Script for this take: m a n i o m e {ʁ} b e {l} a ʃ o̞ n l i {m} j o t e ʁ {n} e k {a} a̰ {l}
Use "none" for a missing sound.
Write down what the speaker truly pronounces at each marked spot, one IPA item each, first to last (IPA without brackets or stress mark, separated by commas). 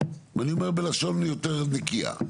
ʁ, l, none, n, i, none